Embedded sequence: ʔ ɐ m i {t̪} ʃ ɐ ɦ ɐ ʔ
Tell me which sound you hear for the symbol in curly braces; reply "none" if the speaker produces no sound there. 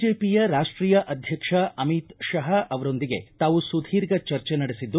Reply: t̪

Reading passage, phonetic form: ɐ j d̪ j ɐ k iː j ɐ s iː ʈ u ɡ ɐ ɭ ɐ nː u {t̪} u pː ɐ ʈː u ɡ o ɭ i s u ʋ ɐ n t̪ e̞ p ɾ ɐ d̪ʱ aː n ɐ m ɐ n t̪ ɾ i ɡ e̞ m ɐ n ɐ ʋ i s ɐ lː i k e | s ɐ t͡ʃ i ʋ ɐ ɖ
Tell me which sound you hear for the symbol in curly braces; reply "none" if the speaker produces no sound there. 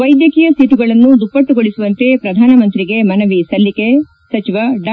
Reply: d̪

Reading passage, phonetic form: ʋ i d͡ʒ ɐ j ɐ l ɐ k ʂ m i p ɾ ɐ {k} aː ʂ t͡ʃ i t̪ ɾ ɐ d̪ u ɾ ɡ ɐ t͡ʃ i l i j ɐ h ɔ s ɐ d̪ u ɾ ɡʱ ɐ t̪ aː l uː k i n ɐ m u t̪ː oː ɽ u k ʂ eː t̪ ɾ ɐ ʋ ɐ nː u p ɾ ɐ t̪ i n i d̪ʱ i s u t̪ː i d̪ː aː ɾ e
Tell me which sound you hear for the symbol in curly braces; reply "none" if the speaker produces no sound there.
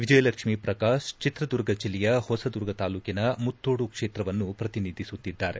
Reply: k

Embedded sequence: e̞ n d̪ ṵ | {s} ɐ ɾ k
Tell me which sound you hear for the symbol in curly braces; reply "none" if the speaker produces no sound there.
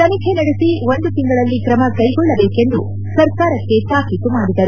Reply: s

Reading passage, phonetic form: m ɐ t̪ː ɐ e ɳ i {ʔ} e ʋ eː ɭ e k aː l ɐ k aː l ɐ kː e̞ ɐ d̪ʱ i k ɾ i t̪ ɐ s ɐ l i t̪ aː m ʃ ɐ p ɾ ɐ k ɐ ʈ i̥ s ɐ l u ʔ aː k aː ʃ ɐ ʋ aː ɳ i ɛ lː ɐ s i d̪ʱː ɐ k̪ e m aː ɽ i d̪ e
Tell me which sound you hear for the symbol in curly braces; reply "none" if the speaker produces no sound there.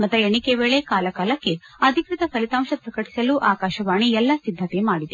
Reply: k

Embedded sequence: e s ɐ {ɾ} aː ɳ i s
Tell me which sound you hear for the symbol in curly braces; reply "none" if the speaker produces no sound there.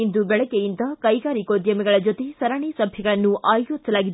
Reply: ɾ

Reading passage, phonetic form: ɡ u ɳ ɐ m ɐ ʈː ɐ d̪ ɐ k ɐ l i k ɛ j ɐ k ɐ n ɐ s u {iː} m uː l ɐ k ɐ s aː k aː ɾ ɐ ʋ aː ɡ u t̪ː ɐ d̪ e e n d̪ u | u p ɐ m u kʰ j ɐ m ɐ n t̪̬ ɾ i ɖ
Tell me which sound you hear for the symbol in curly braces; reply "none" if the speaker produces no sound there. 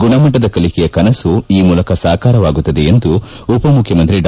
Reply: iː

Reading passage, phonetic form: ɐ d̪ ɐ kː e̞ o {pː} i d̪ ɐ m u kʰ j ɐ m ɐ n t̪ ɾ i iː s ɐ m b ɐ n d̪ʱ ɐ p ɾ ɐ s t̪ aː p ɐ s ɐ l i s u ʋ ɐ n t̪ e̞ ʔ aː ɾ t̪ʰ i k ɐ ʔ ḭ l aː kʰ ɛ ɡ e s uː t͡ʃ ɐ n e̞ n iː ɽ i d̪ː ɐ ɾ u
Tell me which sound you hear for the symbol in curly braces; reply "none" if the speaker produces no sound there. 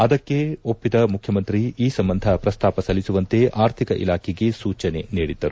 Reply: pː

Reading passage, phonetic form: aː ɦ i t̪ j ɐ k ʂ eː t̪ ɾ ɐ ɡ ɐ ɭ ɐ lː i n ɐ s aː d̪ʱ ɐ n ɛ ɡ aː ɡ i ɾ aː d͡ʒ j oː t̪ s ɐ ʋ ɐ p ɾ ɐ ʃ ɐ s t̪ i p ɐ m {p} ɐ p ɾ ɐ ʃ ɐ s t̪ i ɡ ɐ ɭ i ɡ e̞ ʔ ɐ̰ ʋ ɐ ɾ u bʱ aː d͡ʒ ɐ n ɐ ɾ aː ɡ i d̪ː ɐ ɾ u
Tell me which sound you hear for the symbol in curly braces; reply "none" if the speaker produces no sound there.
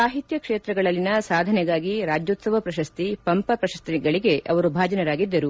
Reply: p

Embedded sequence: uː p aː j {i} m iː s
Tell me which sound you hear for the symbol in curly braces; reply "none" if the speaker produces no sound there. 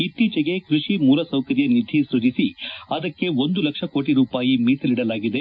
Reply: i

